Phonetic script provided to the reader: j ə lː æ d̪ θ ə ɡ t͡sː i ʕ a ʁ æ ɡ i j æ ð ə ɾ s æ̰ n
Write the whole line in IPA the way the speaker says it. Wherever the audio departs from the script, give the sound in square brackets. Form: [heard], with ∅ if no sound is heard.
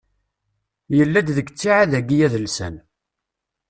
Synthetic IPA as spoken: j ə lː æ d̪ [ð] ə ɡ t͡sː i ʕ a [ð] æ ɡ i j æ ð ə [l] s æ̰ n